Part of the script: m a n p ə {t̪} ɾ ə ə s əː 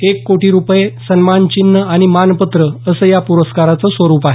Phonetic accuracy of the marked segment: correct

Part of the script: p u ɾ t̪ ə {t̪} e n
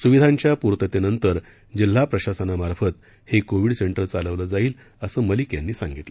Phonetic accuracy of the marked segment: correct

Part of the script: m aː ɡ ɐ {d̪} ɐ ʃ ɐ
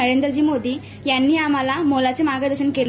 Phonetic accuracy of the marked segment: correct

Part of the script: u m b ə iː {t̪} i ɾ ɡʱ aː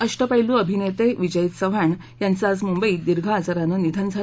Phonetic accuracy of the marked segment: incorrect: d̪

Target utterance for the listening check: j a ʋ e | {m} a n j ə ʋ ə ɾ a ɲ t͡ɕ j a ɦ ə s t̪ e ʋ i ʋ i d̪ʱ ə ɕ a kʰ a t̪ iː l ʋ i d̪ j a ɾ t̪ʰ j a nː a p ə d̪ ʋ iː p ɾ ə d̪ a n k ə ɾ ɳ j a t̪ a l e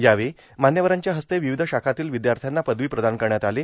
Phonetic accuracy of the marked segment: correct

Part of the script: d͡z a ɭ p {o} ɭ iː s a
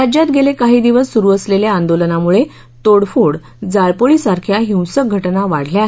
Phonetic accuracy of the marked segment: correct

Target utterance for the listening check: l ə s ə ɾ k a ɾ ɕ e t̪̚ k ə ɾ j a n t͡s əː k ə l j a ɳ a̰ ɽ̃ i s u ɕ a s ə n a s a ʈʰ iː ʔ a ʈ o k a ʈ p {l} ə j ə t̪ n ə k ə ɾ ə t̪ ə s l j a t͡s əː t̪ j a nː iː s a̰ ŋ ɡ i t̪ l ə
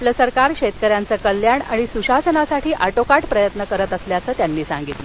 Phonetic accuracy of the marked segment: incorrect: ɾ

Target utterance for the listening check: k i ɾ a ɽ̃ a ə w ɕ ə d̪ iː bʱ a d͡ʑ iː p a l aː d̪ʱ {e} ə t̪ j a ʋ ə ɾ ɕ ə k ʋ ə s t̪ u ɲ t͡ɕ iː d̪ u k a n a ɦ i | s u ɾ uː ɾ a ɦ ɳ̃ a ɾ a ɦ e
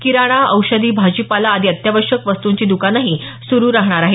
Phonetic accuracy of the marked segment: incorrect: i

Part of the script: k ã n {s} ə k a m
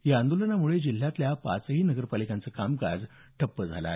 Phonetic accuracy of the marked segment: incorrect: t͡s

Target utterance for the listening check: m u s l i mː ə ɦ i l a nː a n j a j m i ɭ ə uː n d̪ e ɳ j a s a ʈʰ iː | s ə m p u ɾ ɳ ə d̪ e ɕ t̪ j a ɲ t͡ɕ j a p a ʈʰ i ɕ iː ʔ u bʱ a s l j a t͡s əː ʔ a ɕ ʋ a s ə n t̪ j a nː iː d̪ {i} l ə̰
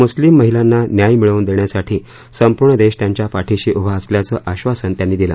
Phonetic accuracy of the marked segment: correct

